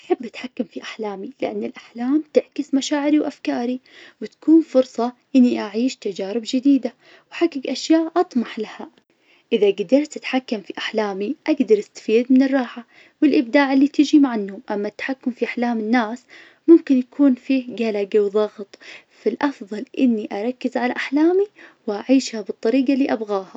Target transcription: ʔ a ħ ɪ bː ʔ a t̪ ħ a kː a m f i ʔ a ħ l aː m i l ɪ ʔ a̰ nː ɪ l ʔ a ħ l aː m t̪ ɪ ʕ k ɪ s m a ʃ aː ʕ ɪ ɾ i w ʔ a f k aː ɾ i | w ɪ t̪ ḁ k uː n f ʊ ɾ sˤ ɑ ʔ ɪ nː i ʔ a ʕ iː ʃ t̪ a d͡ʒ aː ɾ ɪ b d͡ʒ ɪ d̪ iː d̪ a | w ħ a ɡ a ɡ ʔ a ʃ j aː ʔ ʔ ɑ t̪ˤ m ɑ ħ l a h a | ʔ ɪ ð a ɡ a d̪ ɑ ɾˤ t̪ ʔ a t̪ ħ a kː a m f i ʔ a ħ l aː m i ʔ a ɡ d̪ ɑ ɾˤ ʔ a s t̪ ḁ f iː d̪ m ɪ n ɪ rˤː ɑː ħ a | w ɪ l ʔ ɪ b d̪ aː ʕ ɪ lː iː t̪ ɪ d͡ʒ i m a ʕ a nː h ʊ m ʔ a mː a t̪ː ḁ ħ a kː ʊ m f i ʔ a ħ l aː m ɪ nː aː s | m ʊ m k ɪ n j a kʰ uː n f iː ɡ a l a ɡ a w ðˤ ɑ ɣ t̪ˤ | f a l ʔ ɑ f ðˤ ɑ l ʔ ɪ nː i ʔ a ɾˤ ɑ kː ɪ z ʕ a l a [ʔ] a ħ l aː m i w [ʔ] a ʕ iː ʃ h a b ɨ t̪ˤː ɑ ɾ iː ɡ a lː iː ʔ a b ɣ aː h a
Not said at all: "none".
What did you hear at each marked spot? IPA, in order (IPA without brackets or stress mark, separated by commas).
ʔ, ʔ